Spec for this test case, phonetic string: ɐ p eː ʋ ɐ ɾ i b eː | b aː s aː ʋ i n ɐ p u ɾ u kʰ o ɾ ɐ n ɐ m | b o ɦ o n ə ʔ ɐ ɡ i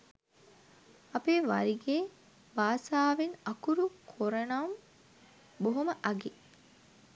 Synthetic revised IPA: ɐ p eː ʋ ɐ ɾ i ɡ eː | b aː s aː ʋ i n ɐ k u ɾ u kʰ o ɾ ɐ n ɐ m | b o ɦ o m ə ʔ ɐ ɡ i

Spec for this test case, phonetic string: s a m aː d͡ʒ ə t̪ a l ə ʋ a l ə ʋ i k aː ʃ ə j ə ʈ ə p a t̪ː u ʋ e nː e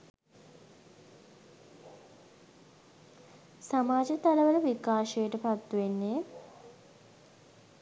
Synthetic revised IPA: s a m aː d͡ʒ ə t̪ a l ə ʋ ə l ə ʋ i k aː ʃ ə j ə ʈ ə p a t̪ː u ʋ e nː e

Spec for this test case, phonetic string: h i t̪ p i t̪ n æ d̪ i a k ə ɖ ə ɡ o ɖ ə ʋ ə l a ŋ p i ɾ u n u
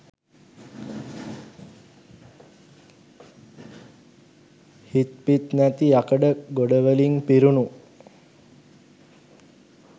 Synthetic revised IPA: h i t̪ p i t̪ n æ t̪ i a k ə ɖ ə ɡ o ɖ ə ʋ ə l i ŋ p i ɾ u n u

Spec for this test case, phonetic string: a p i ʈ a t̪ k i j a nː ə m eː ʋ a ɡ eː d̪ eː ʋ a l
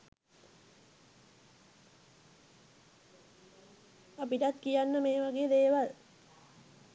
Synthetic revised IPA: a p i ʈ a t̪ k i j a nː ə m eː ʋ a ɡ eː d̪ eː ʋ a l

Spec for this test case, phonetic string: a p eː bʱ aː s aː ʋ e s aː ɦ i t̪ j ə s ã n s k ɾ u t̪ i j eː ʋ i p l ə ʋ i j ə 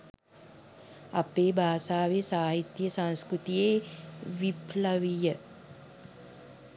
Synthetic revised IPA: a p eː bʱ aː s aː ʋ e s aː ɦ i t̪ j ə s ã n s k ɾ u t̪ i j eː ʋ i p l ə ʋ i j ə

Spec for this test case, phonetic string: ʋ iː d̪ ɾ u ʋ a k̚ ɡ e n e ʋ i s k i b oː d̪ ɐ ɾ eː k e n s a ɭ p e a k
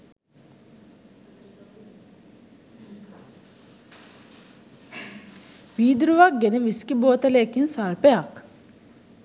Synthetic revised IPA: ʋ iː d̪ ɾ u ʋ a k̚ ɡ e n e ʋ i s k i b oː t̪ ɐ l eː k i n s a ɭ p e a k

